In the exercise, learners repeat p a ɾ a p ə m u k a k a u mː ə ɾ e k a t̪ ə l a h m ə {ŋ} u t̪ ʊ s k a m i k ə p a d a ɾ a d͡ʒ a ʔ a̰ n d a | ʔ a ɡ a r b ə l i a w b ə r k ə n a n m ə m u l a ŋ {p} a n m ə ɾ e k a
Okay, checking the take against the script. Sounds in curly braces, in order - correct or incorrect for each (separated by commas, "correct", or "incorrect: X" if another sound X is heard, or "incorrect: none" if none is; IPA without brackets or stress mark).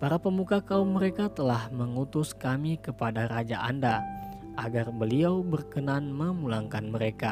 correct, incorrect: k